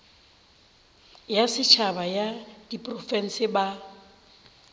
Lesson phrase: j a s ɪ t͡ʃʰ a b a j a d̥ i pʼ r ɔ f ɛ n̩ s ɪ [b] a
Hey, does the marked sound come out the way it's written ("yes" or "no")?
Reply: yes